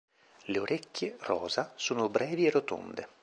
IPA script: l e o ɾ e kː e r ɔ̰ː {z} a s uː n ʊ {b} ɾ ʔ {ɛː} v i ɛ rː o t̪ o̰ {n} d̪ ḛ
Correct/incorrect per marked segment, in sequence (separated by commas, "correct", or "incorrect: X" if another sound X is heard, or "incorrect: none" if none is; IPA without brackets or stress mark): correct, correct, correct, correct